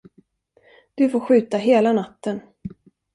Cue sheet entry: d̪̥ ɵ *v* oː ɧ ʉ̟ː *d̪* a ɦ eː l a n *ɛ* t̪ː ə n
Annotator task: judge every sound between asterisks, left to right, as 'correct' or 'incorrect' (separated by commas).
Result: incorrect, incorrect, incorrect